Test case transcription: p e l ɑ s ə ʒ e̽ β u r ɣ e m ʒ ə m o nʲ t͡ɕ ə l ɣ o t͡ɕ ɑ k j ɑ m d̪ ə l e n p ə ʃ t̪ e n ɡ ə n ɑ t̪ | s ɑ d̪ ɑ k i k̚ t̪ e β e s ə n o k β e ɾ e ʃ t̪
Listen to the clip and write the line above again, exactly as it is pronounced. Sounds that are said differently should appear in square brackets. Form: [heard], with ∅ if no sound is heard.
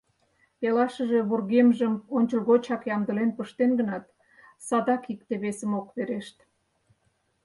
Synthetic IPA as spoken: p e l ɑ [ʃ] ə ʒ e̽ β u r ɣ e m ʒ ə m o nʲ t͡ɕ ə l ɣ o t͡ɕ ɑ k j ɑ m d̪ ə l e n p ə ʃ t̪ e n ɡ ə n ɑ t̪ | s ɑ d̪ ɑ k i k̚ t̪ e β e s ə [m] o k β e ɾ e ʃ t̪